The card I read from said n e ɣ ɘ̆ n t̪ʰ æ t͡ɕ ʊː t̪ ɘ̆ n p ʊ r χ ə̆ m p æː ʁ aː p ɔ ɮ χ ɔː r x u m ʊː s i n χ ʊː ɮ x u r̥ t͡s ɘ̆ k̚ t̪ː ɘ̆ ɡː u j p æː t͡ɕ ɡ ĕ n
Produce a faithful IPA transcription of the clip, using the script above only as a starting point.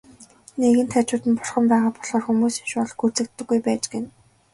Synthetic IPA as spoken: n e ɣ ɘ̆ n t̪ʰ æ t͡ɕ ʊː t̪ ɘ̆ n p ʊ r χ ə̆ m p æː ʁ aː p ɔ ɮ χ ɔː r x u m uː s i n ʃ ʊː ɮ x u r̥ t͡s ɘ̆ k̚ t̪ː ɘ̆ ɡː u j p æː t͡ɕ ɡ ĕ n